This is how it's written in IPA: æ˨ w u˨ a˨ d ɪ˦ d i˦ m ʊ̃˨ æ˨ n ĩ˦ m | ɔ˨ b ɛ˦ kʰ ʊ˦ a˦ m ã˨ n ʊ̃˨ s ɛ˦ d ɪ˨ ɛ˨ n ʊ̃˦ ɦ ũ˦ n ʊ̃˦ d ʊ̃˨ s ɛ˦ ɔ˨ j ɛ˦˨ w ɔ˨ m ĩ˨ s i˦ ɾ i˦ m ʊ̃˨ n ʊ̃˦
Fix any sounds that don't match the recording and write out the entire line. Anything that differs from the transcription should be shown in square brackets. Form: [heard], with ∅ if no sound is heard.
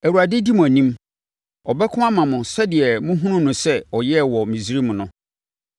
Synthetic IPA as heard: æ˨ w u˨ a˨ d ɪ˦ d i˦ m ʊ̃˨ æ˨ n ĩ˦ m | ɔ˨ b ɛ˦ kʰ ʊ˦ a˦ m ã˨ [m] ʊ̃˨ s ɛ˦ d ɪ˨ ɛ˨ [m] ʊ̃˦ ɦ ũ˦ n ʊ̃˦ [n] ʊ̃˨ s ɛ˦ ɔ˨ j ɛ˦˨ w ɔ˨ m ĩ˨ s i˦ ɾ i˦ m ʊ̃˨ n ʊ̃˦